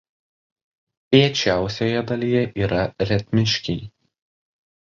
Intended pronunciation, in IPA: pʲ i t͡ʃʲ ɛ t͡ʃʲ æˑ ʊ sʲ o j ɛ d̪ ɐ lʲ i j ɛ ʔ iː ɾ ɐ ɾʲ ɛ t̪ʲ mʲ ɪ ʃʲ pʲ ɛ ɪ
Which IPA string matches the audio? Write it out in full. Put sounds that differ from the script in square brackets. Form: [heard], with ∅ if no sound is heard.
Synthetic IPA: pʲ i [∅] ɛ t͡ʃʲ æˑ ʊ sʲ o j ɛ d̪ ɐ lʲ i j ɛ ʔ iː ɾ ɐ ɾʲ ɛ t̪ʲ mʲ ɪ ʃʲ [kʲ] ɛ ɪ

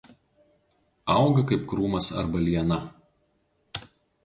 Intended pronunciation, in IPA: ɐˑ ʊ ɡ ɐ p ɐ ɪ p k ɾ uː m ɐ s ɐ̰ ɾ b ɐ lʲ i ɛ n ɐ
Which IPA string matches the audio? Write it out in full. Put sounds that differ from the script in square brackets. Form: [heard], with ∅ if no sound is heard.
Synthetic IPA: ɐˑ ʊ ɡ ɐ [k] ɐ ɪ p k ɾ uː m ɐ s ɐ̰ ɾ b ɐ lʲ i ɛ n ɐ

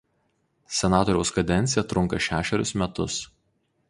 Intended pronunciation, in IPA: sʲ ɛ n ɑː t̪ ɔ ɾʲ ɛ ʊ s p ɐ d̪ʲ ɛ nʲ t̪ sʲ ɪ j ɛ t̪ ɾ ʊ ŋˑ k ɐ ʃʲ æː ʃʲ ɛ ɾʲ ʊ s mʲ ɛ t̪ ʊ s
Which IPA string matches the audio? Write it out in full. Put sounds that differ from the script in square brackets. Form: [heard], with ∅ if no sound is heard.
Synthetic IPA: sʲ ɛ n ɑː t̪ ɔ ɾʲ ɛ ʊ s [k] ɐ d̪ʲ ɛ nʲ t̪ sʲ ɪ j ɛ t̪ ɾ ʊ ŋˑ k ɐ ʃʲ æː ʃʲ ɛ ɾʲ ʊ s mʲ ɛ t̪ ʊ s

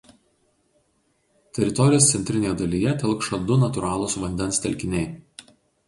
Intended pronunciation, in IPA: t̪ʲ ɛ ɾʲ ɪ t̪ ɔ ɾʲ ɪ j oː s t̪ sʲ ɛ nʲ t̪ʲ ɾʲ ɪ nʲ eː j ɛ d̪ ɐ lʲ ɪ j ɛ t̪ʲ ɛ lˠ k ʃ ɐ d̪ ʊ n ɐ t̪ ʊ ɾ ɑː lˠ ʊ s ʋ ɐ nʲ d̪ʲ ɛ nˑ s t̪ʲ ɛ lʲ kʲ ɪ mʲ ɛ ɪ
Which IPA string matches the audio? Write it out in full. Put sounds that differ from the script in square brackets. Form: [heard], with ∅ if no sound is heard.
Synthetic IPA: t̪ʲ ɛ ɾʲ ɪ t̪ ɔ ɾʲ ɪ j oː s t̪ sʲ ɛ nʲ t̪ʲ ɾʲ ɪ nʲ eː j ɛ d̪ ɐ lʲ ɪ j ɛ t̪ʲ ɛ lˠ k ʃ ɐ d̪ ʊ n ɐ t̪ ʊ ɾ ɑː lˠ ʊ s ʋ ɐ nʲ d̪ʲ ɛ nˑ s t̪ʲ ɛ lʲ kʲ ɪ [nʲ] ɛ ɪ

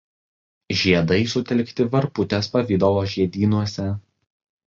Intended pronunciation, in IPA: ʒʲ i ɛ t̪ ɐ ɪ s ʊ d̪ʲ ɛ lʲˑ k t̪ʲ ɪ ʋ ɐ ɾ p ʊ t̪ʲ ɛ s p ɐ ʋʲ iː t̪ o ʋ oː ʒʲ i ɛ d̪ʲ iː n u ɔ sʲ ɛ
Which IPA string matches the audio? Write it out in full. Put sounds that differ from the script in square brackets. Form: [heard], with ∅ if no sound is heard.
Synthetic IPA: ʒʲ i ɛ [d̪] ɐ ɪ s ʊ [t̪ʲ] ɛ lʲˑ k t̪ʲ ɪ ʋ ɐ ɾ p ʊ t̪ʲ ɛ s p ɐ ʋʲ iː [d̪] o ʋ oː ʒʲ i ɛ d̪ʲ iː n u ɔ sʲ ɛ

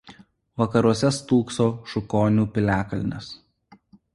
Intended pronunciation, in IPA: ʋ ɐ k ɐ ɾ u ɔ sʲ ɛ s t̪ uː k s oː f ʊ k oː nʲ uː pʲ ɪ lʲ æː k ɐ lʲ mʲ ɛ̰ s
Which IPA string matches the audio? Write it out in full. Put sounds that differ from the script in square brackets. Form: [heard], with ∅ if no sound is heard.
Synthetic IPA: ʋ ɐ k ɐ ɾ u ɔ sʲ ɛ s t̪ uː k s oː [ʃ] ʊ k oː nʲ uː pʲ ɪ lʲ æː k ɐ lʲ [nʲ] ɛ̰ s

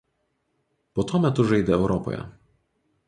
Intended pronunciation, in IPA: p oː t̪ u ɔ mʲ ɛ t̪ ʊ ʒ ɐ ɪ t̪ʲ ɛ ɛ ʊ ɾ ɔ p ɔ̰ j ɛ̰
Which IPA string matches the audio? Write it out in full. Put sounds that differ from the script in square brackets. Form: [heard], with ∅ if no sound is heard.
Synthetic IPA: p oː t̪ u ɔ mʲ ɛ t̪ ʊ ʒ ɐ ɪ [d̪ʲ] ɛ ɛ ʊ ɾ ɔ p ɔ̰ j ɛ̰

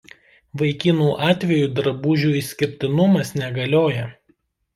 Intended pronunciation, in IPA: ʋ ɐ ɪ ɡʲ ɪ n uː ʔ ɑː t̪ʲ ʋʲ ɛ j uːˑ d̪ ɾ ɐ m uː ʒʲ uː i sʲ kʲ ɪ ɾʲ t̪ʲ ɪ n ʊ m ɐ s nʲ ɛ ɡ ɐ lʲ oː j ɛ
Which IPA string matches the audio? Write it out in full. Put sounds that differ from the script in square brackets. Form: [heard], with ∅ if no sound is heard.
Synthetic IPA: ʋ ɐ ɪ [kʲ] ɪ n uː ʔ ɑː t̪ʲ ʋʲ ɛ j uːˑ d̪ ɾ ɐ [b] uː ʒʲ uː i sʲ kʲ ɪ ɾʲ t̪ʲ ɪ n ʊ m ɐ s nʲ ɛ ɡ ɐ lʲ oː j ɛ

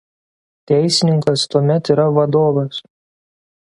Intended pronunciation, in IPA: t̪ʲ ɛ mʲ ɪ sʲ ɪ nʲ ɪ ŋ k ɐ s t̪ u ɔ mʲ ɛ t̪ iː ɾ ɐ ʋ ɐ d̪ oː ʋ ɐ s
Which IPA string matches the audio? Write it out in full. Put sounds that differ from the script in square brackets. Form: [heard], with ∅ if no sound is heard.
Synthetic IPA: t̪ʲ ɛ [∅] ɪ sʲ ɪ nʲ ɪ ŋ k ɐ s t̪ u ɔ mʲ ɛ t̪ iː ɾ ɐ ʋ ɐ d̪ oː ʋ ɐ s

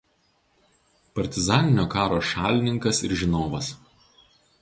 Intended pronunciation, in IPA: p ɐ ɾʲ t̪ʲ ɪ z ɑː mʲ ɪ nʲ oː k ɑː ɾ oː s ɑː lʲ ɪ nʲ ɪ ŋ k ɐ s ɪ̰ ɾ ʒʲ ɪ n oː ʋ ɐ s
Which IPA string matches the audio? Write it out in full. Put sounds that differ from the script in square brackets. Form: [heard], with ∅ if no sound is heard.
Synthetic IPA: p ɐ ɾʲ t̪ʲ ɪ z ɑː [nʲ] ɪ nʲ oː k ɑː ɾ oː [ʃ] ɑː lʲ ɪ nʲ ɪ ŋ k ɐ s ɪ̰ ɾ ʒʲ ɪ n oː ʋ ɐ s

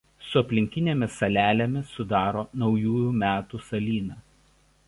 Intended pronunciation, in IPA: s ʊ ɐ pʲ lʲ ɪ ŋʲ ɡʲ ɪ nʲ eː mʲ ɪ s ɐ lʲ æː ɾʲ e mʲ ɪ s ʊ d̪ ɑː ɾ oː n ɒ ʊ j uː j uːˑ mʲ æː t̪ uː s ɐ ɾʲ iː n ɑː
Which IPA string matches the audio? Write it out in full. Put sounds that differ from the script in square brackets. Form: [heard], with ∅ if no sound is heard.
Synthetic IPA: s ʊ ɐ pʲ lʲ ɪ ŋʲ [kʲ] ɪ nʲ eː mʲ ɪ s ɐ lʲ æː [lʲ] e mʲ ɪ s ʊ d̪ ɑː ɾ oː n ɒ ʊ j uː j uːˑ mʲ æː t̪ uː s ɐ [lʲ] iː n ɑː

